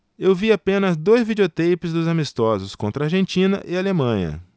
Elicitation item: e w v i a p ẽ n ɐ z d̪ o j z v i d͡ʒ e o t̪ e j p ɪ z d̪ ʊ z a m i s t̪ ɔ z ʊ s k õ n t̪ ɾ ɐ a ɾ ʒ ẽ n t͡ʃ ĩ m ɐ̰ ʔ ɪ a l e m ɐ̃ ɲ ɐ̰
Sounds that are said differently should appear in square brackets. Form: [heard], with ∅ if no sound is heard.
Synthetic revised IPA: e w v i a p ẽ n ɐ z d̪ o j z v i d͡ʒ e o t̪ e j p ɪ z d̪ ʊ z a m i s t̪ ɔ z ʊ s k õ n t̪ ɾ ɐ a ɾ ʒ ẽ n t͡ʃ ĩ [n] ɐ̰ ʔ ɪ a l e m ɐ̃ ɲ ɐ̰